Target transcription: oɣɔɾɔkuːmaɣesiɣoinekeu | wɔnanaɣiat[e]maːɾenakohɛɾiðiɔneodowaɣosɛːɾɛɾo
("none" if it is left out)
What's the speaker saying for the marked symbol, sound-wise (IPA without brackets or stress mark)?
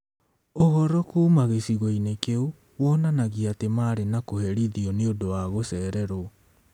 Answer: e